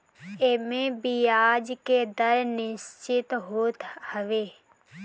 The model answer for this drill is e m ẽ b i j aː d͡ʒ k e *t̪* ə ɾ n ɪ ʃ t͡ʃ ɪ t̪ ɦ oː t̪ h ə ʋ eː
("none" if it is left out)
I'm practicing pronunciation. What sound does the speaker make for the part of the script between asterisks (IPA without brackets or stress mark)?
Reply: d̪